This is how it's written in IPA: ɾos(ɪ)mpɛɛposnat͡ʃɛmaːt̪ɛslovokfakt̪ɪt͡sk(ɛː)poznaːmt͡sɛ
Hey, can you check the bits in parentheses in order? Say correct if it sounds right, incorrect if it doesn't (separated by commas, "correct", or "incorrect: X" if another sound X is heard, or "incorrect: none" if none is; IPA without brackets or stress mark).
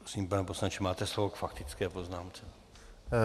incorrect: i, correct